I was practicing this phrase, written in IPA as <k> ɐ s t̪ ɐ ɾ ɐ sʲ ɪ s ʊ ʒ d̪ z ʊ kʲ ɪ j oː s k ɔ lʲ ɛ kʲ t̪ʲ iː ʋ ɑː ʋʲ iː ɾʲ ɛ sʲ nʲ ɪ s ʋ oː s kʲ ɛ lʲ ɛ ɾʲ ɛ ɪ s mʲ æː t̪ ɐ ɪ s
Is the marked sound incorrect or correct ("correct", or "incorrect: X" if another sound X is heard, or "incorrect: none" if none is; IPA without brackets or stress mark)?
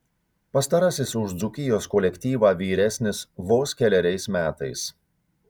incorrect: p